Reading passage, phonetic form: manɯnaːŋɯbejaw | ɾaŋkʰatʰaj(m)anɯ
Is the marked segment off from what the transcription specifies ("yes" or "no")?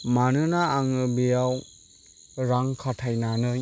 yes